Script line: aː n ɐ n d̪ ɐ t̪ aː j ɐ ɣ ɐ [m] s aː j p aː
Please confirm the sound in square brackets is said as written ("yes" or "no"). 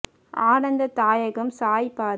yes